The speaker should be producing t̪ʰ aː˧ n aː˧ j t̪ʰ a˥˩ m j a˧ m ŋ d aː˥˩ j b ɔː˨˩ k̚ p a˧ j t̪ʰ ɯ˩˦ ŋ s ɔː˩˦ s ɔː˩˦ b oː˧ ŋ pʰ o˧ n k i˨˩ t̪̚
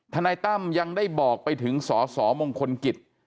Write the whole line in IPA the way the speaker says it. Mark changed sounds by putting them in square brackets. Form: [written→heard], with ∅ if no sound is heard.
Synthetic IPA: t̪ʰ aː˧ n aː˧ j [t̪ʰ→t̪] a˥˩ m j a˧ [m→∅] ŋ d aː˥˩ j b ɔː˨˩ k̚ p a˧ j t̪ʰ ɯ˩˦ ŋ s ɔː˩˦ s ɔː˩˦ [b→m] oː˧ ŋ [pʰ→kʰ] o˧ n k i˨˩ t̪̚